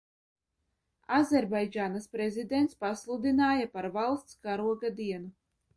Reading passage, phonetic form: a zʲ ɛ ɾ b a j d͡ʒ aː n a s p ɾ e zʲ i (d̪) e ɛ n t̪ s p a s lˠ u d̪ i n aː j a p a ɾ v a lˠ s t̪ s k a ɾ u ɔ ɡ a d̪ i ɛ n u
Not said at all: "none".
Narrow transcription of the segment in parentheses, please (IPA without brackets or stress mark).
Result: d̪